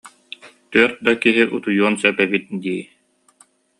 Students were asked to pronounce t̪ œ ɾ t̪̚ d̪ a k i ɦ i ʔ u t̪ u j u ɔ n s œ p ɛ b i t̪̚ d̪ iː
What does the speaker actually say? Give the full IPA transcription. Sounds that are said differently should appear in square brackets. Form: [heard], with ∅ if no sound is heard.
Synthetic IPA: t̪ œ ɾ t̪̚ d̪ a k i ɦ i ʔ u t̪ u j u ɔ n s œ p ɛ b i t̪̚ d̪ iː